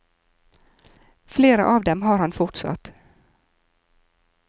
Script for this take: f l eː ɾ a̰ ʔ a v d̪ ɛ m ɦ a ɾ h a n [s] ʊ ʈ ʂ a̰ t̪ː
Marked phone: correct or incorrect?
incorrect